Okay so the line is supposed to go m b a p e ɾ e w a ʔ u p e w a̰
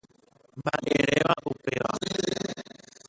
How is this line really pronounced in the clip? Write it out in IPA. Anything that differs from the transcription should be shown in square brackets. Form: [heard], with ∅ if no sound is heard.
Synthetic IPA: m b a [ʔ] e ɾ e [ʋ] a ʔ u p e [ʋ] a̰